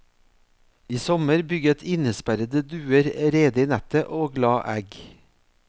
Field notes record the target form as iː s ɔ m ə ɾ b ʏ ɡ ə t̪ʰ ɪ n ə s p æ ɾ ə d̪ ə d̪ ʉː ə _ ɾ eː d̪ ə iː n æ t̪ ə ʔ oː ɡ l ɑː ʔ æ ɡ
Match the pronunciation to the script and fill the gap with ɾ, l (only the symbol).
ɾ